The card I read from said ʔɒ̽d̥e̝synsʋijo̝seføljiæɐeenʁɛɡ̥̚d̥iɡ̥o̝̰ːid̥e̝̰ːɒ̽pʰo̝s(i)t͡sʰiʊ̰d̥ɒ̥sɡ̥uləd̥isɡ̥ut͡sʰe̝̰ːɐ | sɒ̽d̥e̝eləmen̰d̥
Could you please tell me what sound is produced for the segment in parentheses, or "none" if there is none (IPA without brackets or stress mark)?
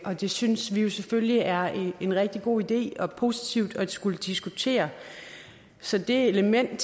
i